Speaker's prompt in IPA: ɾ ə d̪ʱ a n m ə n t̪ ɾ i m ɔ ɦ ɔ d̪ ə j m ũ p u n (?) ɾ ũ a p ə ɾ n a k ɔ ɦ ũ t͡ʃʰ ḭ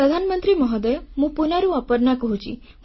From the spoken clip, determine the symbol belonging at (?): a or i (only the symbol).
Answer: a